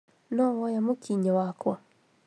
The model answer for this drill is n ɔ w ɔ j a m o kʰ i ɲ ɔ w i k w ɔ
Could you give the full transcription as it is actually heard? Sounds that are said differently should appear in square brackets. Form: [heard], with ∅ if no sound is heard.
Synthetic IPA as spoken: n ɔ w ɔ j a m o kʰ i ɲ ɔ w [a] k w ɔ